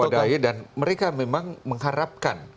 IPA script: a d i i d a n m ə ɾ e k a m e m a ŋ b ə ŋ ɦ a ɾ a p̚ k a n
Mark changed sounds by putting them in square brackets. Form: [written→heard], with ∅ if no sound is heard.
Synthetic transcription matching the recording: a d [i→a] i d a n m ə ɾ e k a m e m a ŋ [b→m] ə ŋ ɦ a ɾ a p̚ k a n

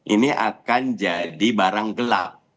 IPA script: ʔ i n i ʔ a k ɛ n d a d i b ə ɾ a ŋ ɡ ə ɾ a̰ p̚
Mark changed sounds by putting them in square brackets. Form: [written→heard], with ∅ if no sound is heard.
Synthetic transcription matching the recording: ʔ i n i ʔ a k [ɛ→a] n [d→d͡ʒ] a d i b [ə→a] ɾ a ŋ ɡ ə [ɾ→l] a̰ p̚

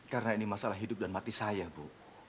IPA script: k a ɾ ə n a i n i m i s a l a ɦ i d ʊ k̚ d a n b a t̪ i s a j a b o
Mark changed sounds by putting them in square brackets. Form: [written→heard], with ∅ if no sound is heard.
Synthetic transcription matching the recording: k a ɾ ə n a i n i m [i→a] s a l a ɦ i d ʊ [k̚→p̚] d a n [b→m] a t̪ i s a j a b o

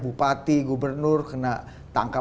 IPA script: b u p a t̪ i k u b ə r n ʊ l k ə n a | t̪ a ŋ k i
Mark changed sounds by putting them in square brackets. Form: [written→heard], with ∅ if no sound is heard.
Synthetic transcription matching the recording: b u p a t̪ i [k→ɡ] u b ə r n ʊ [l→r] k ə n a | t̪ a ŋ k [i→a]

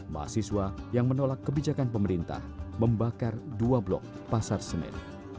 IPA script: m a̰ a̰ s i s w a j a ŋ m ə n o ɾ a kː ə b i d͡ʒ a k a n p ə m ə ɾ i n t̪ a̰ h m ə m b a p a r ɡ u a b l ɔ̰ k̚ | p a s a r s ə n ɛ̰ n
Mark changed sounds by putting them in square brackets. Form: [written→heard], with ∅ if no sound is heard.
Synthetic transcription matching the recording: m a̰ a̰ s i s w a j a ŋ m ə n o [ɾ→l] a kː ə b i d͡ʒ a k a n p ə m ə ɾ i n t̪ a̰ h m ə m b a [p→k] a r [ɡ→d] u a b l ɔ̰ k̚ | p a s a r s ə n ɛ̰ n

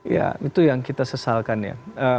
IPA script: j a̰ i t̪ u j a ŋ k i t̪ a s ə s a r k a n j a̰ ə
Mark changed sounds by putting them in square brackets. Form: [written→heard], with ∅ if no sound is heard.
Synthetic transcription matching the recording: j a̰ i t̪ u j a ŋ k i t̪ a s ə s a [r→l] k a n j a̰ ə

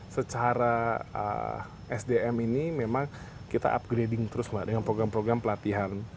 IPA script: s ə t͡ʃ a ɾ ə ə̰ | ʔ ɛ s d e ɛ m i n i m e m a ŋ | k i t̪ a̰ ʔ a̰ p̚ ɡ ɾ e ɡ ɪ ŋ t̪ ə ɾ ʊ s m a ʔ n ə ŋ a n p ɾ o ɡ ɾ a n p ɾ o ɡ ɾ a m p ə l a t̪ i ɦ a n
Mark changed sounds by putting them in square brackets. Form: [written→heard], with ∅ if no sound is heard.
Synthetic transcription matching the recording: s ə t͡ʃ a ɾ [ə→a] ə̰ | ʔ ɛ s d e ɛ m i n i m e m a ŋ | k i t̪ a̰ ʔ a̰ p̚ ɡ ɾ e [ɡ→d] ɪ ŋ t̪ ə ɾ ʊ s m a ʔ [n→d] ə ŋ a n p ɾ o ɡ ɾ a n p ɾ o ɡ ɾ a m p ə l a t̪ i ɦ a n

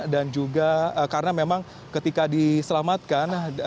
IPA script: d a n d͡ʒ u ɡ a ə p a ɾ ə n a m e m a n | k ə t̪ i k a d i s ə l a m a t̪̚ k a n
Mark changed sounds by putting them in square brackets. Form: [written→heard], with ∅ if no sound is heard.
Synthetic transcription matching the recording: d a n d͡ʒ u ɡ a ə [p→k] a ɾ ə n a m e m a [n→ŋ] | k ə t̪ i k a d i s ə l a m a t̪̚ k a n

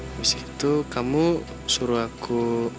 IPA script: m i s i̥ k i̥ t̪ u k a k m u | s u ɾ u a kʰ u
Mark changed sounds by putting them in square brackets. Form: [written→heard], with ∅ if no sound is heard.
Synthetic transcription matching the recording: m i s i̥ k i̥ t̪ u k a [k→∅] m u | s u ɾ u a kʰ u

